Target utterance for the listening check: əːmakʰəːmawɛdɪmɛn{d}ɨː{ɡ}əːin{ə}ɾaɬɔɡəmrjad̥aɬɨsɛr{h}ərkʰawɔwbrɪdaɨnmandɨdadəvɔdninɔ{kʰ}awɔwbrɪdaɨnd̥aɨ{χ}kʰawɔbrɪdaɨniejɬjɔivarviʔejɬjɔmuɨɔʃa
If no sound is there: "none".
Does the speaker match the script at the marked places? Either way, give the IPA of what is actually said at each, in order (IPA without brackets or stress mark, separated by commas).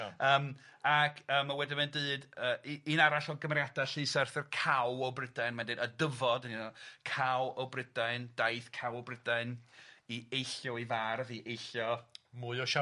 d, d, a, θ, kʰ, θ